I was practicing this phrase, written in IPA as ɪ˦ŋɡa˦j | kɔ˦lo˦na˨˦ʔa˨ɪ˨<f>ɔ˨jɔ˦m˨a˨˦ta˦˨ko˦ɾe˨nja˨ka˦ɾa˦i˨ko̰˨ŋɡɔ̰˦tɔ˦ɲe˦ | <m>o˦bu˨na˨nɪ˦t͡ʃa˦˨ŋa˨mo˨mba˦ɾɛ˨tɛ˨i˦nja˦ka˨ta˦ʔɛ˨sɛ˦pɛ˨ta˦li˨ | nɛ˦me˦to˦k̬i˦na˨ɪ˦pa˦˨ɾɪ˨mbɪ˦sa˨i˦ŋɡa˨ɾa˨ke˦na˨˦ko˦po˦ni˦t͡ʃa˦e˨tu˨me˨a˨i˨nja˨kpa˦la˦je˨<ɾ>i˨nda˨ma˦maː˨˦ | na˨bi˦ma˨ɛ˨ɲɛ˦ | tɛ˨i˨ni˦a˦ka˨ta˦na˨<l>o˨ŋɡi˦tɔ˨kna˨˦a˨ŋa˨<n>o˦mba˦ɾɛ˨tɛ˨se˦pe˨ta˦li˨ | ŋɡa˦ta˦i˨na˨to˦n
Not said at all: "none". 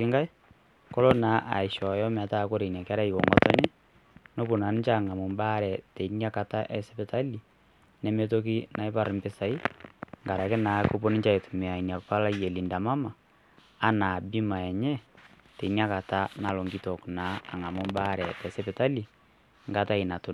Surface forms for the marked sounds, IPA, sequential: ʃ, n, l, l, m

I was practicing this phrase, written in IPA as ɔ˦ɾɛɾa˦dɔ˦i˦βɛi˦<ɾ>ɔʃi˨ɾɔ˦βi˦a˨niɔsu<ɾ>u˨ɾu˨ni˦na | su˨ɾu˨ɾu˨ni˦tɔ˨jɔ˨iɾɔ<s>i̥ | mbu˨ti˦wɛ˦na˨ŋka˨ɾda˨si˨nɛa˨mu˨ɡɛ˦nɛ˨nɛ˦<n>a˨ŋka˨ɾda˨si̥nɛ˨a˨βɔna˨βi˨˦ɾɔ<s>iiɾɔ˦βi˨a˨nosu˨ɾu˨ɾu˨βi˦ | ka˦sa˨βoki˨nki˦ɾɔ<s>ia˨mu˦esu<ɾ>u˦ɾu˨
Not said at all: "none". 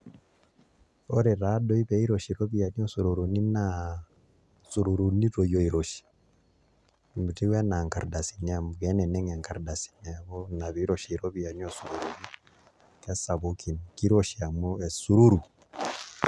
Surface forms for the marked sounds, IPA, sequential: ɾ, ɾ, ʃ, ŋ, ʃ, ʃ, ɾ

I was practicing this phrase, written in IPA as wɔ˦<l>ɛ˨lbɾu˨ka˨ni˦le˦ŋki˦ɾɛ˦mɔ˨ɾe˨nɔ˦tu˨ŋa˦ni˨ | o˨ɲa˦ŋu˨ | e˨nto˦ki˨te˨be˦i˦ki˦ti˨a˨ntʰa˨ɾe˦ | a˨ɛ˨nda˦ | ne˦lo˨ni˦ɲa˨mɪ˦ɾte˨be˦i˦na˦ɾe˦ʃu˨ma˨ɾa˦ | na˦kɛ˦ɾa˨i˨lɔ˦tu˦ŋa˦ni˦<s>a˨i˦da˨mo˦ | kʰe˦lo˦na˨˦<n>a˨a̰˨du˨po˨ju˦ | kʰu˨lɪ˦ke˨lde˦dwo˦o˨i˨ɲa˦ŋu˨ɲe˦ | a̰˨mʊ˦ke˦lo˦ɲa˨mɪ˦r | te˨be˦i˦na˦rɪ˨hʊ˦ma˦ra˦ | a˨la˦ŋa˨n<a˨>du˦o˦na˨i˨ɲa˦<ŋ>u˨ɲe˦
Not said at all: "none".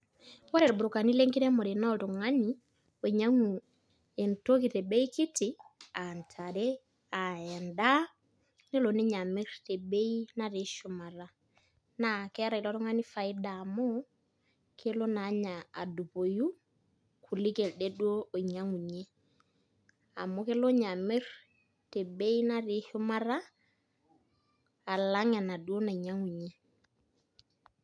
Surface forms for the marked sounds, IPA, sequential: ɾ, f, ɲ, a˨, ŋ

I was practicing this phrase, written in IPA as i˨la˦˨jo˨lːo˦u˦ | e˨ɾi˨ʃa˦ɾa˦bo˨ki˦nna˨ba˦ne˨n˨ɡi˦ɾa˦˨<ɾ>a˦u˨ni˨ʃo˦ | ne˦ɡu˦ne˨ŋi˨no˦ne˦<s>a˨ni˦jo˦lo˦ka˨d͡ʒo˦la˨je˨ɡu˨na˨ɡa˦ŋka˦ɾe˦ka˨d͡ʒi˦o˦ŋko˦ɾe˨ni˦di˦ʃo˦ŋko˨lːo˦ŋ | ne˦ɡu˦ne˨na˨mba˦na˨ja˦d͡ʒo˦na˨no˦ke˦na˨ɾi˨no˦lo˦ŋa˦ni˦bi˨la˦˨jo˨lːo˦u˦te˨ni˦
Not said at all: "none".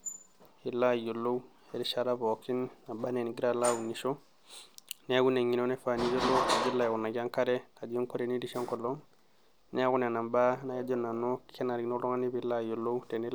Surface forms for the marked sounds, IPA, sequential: l, f

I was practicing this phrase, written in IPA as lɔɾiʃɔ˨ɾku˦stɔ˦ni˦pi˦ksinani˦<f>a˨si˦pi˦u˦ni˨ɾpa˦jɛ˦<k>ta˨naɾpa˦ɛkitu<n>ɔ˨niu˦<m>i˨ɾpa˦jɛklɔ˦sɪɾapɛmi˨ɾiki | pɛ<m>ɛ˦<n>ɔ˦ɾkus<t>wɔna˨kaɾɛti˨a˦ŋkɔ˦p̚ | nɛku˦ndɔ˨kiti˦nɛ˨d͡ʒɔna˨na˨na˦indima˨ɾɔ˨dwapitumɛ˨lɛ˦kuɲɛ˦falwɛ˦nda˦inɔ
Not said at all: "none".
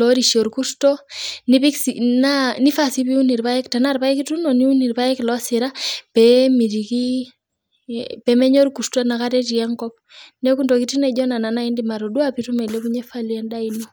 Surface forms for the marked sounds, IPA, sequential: f, k, n, n, m, ɲ, t

